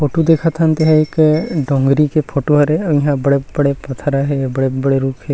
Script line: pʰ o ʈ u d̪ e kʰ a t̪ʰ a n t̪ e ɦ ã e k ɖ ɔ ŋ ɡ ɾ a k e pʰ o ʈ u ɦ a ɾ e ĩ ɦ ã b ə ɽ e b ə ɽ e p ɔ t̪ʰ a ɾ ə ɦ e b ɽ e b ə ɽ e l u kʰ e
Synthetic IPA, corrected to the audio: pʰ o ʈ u d̪ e kʰ a t̪ʰ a n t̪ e ɦ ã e k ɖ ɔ ŋ ɡ ɾ i k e pʰ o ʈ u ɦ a ɾ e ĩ ɦ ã b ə ɽ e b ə ɽ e p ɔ t̪ʰ a ɾ a ɦ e b ɽ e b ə ɽ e ɾ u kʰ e